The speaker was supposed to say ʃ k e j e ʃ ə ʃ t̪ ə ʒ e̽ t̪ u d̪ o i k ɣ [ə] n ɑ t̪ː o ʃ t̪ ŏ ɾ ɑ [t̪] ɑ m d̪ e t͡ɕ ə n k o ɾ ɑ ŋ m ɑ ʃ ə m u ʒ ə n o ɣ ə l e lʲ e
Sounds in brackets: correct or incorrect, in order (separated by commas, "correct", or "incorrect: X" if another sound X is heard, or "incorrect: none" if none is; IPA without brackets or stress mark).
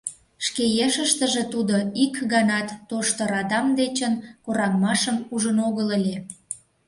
incorrect: ɑ, incorrect: d̪